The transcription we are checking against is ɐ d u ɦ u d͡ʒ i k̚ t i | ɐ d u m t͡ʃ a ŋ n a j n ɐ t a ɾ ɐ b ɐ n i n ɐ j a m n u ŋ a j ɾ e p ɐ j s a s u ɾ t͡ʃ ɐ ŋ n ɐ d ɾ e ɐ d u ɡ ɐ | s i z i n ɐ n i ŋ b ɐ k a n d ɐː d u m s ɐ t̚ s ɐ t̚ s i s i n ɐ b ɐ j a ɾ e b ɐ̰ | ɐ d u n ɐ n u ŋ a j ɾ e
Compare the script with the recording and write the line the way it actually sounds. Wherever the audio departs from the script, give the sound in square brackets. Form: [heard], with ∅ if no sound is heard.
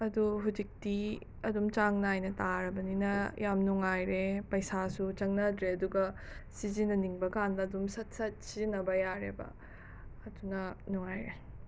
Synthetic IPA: ɐ d u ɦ u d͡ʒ i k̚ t i | ɐ d u m t͡ʃ a ŋ n a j n ɐ t a ɾ ɐ b ɐ n i n ɐ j a m n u ŋ a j ɾ e p ɐ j s a s u [∅] t͡ʃ ɐ ŋ n ɐ d ɾ e ɐ d u ɡ ɐ | s i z i n ɐ n i ŋ b ɐ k a n d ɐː d u m s ɐ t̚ s ɐ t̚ s i [z] i n ɐ b ɐ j a ɾ e b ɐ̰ | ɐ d u n ɐ n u ŋ a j ɾ e